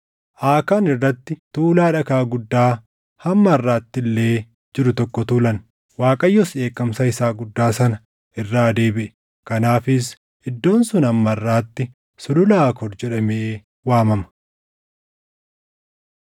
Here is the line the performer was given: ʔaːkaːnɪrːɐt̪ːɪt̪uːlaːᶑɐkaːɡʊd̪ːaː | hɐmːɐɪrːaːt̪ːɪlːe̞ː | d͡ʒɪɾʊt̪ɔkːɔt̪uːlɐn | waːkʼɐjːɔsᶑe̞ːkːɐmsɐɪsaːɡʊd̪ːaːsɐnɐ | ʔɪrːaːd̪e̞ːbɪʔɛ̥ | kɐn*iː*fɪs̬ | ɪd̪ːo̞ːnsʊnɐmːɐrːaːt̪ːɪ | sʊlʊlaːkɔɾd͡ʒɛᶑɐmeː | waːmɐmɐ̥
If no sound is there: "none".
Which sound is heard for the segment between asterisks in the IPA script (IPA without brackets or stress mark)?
aː